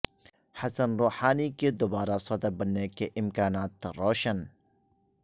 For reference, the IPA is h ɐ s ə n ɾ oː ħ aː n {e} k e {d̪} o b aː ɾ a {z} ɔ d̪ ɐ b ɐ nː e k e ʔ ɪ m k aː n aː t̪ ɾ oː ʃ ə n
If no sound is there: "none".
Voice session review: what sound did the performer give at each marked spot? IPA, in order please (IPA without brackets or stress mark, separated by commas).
i, d̪, s